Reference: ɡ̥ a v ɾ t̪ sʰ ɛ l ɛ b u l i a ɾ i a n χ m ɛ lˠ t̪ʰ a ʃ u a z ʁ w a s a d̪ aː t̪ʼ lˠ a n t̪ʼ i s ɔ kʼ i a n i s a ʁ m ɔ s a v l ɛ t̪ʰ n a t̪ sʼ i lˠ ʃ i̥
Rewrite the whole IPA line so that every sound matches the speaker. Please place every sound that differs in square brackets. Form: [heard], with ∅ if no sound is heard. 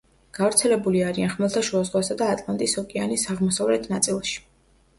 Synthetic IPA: ɡ̥ a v ɾ t̪ sʰ ɛ l ɛ b u l i a ɾ i a n χ m ɛ lˠ t̪ʰ a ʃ u a z ʁ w a s a d̪ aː t̪ʼ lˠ a n t̪ʼ i s ɔ kʼ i a n i s a ʁ m ɔ s a v l ɛ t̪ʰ n a t̪ sʼ i lˠ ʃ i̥

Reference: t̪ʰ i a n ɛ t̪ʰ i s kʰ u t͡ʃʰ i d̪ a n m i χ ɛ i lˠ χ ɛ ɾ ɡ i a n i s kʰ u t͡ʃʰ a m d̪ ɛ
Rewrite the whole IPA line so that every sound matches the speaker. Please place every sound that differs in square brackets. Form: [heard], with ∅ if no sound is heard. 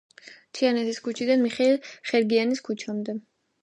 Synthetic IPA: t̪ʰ i a n ɛ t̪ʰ i s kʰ u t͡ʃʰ i d̪ a n m i χ ɛ i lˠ χ ɛ ɾ ɡ i a n i s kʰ u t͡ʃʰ a m d̪ ɛ

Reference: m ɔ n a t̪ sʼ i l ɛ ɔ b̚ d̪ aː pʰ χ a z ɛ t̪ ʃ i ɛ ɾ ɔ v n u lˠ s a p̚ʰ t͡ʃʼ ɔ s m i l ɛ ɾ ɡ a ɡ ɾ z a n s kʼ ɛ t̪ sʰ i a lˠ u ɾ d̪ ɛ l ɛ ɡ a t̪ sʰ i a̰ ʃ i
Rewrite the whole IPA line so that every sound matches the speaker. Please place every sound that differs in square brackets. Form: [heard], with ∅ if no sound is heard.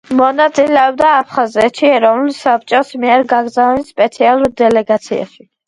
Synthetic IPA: m ɔ n a t̪ sʼ i l ɛ ɔ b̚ d̪ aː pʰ χ a z ɛ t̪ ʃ i ɛ ɾ ɔ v n u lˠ s a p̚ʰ t͡ʃʼ ɔ s m i [∅] ɛ ɾ ɡ a ɡ ɾ z a n s [pʼ] ɛ t̪ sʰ i a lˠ u ɾ d̪ ɛ l ɛ ɡ a t̪ sʰ i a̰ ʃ i

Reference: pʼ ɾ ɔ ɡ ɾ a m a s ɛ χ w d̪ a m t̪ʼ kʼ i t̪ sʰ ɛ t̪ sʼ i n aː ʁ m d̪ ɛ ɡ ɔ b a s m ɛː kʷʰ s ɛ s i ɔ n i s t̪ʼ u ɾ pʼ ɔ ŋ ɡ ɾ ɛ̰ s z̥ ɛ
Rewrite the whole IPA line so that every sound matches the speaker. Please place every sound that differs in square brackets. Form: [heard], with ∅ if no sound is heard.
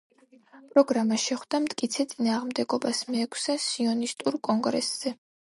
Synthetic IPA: pʼ ɾ ɔ ɡ ɾ a m a [ʃ] ɛ χ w d̪ a m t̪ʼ kʼ i t̪ sʰ ɛ t̪ sʼ i n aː ʁ m d̪ ɛ ɡ ɔ b a s m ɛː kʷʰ s ɛ s i ɔ n i s t̪ʼ u ɾ [kʼ] ɔ ŋ ɡ ɾ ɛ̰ s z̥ ɛ

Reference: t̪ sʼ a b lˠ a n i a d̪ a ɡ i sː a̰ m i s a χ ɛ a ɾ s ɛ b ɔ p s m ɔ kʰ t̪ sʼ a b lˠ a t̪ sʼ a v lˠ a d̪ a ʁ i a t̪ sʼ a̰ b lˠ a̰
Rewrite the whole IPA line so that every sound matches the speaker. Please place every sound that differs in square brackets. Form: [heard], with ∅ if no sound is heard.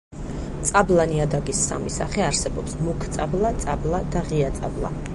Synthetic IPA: t̪ sʼ a b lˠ a n i a d̪ a ɡ i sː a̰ m i s a χ ɛ a ɾ s ɛ b ɔ p s m [u] kʰ t̪ sʼ a b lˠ a t̪ sʼ a [b] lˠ a d̪ a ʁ i a t̪ sʼ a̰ b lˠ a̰

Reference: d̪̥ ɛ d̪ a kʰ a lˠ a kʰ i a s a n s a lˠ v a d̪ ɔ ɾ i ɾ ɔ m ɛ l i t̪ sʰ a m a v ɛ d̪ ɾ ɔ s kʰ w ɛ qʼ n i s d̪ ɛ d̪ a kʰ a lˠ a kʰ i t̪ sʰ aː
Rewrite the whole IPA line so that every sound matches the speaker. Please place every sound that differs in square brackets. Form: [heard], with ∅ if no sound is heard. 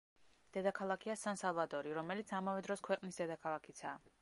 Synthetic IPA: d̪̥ ɛ d̪ a kʰ a lˠ a kʰ i a s a n s a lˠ v a d̪ ɔ ɾ i ɾ ɔ m ɛ l i t̪ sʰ a m a v ɛ d̪ ɾ ɔ s kʰ w ɛ qʼ n i s d̪ ɛ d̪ a kʰ a lˠ a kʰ i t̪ sʰ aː

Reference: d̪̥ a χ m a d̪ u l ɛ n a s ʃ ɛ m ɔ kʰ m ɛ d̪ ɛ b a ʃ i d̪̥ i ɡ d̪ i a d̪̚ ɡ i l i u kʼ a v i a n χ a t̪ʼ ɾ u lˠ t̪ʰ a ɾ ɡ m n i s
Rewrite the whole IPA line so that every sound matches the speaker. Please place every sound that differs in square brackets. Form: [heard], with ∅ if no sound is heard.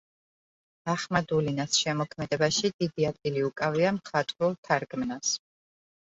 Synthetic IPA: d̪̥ a χ m a d̪ u l [i] n a s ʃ ɛ m ɔ kʰ m ɛ d̪ ɛ b a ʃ i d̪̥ i [∅] d̪ i a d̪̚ ɡ i l i u kʼ a v i a [m] χ a t̪ʼ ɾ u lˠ t̪ʰ a ɾ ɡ m n [a] s

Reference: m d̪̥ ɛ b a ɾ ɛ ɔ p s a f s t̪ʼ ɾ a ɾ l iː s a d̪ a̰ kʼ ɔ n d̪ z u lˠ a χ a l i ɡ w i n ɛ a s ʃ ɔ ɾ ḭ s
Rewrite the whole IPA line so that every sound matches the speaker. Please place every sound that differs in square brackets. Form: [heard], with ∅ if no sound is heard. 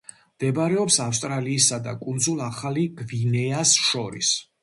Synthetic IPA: m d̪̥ ɛ b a ɾ ɛ ɔ p s a f s t̪ʼ ɾ a [∅] l iː s a d̪ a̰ kʼ [u] n d̪ z u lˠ a χ a l i ɡ [v] i n ɛ a s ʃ ɔ ɾ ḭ s

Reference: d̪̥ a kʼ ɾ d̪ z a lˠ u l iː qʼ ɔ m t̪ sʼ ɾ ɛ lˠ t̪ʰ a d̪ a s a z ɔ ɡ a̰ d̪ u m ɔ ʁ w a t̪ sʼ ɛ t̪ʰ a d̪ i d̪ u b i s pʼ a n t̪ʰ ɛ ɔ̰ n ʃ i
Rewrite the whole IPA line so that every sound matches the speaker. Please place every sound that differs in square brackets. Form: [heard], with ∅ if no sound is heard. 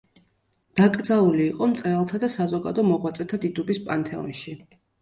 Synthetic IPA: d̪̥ a kʼ ɾ d̪ z a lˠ u l iː qʼ ɔ m t̪ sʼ ɾ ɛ lˠ t̪ʰ a d̪ a s a z ɔ ɡ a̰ d̪ [ɔ] m ɔ ʁ w a t̪ sʼ ɛ t̪ʰ a d̪ i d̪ u b i s pʼ a n t̪ʰ ɛ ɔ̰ n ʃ i

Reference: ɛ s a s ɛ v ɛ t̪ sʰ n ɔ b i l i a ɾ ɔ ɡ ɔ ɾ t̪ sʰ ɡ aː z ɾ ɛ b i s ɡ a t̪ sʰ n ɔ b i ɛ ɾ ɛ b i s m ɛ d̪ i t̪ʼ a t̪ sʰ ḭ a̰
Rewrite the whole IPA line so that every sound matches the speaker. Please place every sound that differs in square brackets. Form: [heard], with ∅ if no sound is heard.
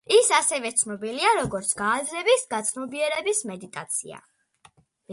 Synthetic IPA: [i] s a s ɛ v ɛ t̪ sʰ n ɔ b i l i a ɾ ɔ ɡ ɔ ɾ t̪ sʰ ɡ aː z ɾ ɛ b i s ɡ a t̪ sʰ n ɔ b i ɛ ɾ ɛ b i s m ɛ d̪ i t̪ʼ a t̪ sʰ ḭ a̰

